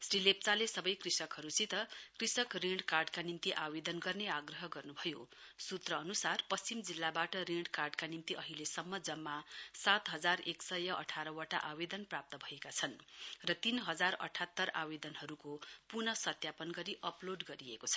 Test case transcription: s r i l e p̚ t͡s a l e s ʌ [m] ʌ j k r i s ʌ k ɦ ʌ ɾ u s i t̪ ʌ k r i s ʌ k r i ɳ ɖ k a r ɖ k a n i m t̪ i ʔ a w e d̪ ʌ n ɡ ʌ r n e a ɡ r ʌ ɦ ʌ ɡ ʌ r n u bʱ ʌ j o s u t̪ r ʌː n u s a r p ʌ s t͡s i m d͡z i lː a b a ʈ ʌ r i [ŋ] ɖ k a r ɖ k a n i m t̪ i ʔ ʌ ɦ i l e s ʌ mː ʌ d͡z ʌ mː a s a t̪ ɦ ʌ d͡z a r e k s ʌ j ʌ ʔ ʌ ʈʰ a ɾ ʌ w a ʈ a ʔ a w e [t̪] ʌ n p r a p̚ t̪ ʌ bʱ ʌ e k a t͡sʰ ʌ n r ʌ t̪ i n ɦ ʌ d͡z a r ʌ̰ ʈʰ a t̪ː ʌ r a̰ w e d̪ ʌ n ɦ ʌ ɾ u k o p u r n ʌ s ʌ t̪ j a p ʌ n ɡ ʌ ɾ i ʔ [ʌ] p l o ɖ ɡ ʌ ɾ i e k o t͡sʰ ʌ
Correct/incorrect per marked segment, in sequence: incorrect: b, incorrect: ɳ, incorrect: d̪, correct

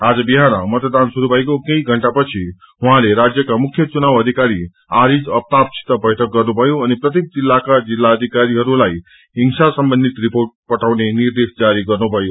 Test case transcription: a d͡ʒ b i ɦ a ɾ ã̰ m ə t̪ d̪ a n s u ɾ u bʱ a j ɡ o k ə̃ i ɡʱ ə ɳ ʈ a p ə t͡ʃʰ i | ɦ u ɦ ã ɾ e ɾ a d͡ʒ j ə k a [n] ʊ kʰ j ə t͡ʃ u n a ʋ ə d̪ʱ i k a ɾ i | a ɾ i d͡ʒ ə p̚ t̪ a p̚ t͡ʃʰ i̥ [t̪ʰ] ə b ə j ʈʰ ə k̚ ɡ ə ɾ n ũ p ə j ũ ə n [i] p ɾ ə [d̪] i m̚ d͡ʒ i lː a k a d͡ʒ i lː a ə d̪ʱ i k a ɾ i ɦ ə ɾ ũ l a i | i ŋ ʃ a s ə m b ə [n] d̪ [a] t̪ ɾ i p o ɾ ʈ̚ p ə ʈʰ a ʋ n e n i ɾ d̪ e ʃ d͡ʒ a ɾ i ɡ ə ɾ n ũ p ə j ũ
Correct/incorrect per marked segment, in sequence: incorrect: m, incorrect: t̪, incorrect: e, incorrect: t̪, correct, incorrect: i

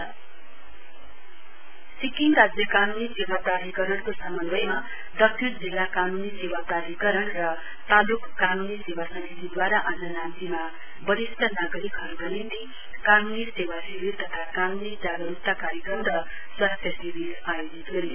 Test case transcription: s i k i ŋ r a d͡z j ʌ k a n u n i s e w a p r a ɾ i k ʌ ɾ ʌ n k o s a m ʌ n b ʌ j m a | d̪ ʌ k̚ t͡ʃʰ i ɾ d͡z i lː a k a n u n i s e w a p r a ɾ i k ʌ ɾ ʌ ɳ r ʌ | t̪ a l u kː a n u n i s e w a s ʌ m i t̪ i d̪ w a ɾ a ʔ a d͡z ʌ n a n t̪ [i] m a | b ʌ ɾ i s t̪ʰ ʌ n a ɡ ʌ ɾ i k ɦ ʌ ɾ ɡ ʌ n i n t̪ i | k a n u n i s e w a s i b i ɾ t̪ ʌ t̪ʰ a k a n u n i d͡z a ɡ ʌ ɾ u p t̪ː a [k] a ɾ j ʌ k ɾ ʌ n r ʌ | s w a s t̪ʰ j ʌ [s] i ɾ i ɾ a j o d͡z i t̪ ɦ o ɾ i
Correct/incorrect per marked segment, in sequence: correct, correct, correct

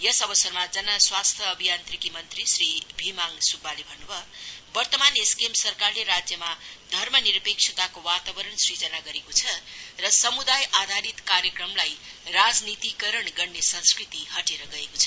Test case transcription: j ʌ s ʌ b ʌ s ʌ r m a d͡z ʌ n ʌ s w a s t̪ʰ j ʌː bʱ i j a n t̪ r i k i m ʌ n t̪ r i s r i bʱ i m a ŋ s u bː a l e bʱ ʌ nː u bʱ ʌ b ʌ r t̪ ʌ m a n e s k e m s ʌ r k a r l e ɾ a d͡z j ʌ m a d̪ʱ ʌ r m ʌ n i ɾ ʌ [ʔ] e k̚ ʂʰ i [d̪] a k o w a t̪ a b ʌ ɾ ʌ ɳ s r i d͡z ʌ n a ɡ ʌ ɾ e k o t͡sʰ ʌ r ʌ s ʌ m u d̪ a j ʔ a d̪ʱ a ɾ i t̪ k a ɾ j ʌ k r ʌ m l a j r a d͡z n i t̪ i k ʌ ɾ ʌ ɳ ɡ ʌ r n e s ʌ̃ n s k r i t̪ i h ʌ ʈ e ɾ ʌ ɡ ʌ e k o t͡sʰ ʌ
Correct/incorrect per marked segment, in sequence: incorrect: p, incorrect: t̪

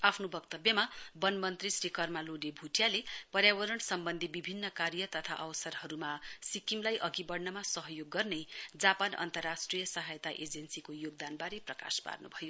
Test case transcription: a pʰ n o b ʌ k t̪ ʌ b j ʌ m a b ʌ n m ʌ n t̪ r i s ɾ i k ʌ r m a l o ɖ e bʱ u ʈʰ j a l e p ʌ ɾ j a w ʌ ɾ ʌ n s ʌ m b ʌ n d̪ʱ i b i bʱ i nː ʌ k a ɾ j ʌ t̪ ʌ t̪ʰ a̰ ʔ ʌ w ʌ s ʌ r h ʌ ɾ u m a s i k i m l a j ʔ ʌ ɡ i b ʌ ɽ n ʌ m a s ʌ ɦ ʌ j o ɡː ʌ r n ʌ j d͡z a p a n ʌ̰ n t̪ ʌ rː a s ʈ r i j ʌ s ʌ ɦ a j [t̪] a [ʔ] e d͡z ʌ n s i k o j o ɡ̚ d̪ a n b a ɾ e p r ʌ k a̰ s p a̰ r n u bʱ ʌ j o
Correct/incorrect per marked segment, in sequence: correct, correct

